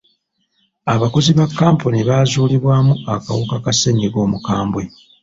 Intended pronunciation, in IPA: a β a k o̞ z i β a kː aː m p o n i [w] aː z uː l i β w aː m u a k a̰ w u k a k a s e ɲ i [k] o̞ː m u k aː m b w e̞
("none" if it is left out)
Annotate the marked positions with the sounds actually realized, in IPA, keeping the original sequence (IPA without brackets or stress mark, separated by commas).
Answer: β, ɡ